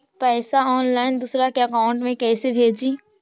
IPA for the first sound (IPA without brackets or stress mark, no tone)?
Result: p